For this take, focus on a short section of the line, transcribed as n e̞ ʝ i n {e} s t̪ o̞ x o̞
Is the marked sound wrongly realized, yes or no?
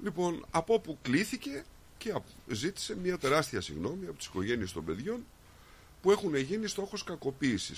yes